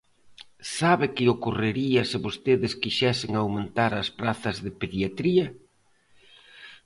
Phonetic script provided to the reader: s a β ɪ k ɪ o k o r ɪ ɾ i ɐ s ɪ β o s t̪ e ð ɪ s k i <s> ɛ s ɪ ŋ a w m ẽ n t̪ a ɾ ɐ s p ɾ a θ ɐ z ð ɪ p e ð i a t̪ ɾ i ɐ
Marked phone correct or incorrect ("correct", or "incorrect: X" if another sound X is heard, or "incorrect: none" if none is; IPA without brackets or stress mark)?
incorrect: ʃ